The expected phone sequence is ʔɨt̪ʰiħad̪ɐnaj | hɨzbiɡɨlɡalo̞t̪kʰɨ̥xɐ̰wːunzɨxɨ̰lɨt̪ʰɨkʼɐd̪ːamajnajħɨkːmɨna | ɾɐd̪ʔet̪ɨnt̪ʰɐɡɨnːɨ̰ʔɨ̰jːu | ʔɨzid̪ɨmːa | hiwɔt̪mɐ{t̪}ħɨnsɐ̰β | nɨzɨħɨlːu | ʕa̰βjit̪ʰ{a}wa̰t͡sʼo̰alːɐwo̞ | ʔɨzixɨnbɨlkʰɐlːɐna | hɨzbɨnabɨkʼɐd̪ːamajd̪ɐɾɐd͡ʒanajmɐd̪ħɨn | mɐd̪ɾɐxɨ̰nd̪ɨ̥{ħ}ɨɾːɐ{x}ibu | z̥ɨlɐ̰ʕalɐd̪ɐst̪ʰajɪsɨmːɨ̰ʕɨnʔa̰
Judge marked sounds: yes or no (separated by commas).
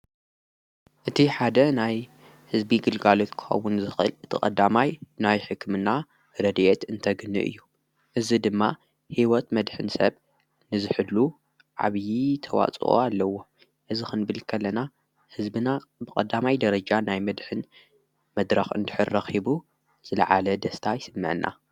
no, no, yes, yes